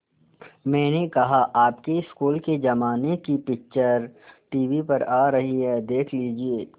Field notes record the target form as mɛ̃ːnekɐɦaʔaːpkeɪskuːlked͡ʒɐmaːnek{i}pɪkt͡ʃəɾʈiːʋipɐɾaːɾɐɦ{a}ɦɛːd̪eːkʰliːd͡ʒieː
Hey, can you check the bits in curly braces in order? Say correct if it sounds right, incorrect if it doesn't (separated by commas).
correct, incorrect